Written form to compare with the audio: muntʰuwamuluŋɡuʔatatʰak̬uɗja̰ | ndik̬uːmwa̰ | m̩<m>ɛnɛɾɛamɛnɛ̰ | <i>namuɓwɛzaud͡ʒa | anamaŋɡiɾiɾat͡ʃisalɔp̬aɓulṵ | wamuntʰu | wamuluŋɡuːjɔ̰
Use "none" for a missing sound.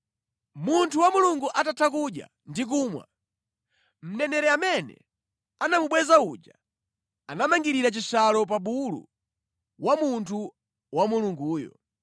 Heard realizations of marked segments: n, a

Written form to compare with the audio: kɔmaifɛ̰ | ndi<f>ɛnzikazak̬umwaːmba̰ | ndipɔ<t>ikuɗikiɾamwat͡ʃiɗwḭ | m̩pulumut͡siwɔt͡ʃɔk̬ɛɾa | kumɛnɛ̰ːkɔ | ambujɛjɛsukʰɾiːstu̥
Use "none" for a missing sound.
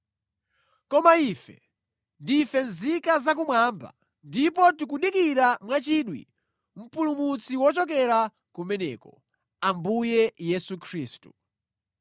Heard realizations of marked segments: f, t

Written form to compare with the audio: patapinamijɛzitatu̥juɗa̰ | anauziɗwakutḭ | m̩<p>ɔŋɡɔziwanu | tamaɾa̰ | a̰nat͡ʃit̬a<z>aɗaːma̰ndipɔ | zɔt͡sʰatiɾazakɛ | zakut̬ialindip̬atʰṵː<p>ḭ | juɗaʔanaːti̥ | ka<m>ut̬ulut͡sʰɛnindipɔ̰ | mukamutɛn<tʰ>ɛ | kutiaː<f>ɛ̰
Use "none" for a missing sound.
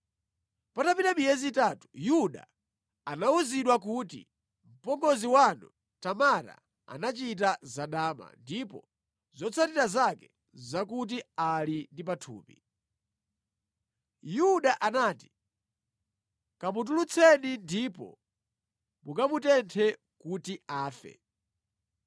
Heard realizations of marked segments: p, z, p, m, tʰ, f

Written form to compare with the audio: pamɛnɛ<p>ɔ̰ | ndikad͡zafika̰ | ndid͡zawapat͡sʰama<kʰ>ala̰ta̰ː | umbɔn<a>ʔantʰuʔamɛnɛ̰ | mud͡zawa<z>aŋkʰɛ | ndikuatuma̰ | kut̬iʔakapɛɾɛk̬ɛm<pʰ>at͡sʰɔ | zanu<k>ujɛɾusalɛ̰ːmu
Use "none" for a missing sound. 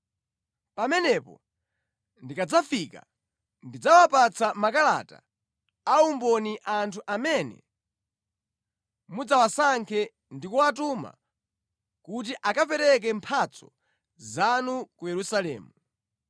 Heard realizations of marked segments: p, k, i, s, pʰ, k

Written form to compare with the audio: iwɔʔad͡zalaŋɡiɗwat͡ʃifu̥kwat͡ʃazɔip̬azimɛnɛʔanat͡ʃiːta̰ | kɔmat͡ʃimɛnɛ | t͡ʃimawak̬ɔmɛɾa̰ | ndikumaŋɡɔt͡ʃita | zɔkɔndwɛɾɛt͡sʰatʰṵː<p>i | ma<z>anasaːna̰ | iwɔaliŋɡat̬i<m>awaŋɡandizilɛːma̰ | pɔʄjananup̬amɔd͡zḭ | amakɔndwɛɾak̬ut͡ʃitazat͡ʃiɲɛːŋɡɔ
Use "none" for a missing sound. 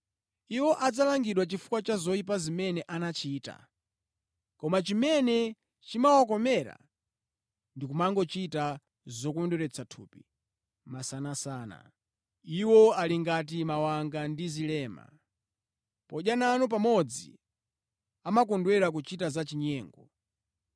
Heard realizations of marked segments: p, s, m

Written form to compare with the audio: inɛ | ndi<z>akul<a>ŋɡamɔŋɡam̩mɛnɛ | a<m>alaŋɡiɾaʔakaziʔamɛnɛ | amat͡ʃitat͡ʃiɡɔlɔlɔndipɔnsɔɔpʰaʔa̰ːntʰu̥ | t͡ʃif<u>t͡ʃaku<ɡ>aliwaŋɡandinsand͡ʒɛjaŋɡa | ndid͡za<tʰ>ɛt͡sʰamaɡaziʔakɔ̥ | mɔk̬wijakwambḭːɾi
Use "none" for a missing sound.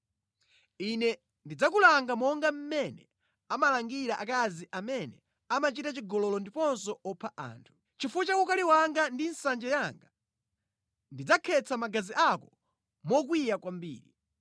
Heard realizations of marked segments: d͡z, a, m, u, k, kʰ

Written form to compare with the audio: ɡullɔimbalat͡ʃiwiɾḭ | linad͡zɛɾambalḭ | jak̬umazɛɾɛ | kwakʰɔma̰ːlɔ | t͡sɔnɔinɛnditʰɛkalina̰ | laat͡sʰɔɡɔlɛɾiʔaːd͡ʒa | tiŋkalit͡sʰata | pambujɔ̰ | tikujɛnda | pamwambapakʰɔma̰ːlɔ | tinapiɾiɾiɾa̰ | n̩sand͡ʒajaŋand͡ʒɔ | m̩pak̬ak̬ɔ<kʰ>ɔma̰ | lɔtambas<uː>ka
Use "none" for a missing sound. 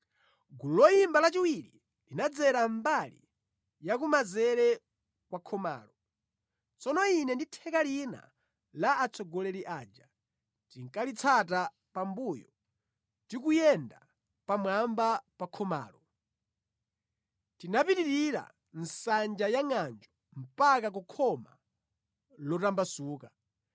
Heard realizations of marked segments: kʰ, uː

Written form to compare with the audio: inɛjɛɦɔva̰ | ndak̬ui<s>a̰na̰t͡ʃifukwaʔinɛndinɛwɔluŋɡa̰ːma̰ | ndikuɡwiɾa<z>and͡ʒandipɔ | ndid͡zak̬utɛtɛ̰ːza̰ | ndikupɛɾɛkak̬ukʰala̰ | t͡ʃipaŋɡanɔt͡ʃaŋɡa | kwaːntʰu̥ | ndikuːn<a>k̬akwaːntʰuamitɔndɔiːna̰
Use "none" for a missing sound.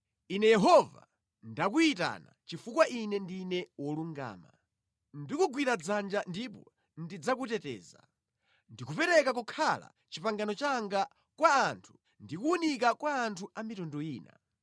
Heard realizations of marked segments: t, d͡z, i

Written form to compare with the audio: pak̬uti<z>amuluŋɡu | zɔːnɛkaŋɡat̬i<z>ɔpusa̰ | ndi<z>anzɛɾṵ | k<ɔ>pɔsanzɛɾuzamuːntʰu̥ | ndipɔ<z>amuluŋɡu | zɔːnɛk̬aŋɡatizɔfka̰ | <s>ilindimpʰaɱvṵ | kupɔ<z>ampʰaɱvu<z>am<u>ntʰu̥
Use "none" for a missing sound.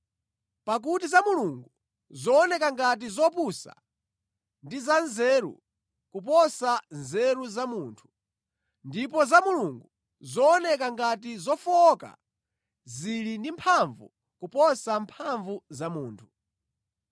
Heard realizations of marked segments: z, z, z, u, z, z, s, z, uː

